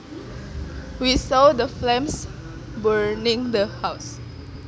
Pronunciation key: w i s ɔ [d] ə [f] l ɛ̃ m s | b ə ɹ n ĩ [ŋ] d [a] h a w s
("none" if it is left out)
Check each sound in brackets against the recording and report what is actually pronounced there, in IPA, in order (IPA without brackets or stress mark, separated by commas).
d, f, ŋ, ə